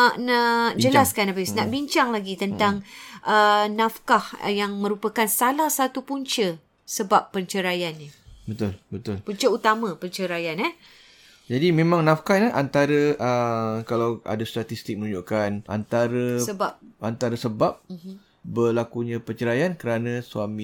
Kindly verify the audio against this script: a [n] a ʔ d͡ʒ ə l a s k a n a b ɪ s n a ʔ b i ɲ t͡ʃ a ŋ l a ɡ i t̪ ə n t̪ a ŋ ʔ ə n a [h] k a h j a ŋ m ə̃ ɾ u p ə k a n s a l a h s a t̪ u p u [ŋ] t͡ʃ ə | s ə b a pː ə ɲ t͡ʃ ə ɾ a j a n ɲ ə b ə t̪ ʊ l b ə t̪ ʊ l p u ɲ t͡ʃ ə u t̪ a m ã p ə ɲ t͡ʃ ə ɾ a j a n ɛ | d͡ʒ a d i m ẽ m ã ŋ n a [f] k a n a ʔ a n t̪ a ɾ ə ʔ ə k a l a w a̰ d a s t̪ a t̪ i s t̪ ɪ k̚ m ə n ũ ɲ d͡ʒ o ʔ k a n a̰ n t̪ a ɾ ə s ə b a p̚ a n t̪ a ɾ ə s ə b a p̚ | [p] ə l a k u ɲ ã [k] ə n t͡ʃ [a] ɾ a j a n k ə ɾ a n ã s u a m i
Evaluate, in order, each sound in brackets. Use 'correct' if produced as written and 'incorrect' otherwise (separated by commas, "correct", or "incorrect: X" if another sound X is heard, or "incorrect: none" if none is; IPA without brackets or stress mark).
correct, incorrect: f, incorrect: ɲ, correct, incorrect: b, incorrect: p, incorrect: ə